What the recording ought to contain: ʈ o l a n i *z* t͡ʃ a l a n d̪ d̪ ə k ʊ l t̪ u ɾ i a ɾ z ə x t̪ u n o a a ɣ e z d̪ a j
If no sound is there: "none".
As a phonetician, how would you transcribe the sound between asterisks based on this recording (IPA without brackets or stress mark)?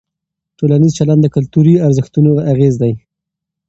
z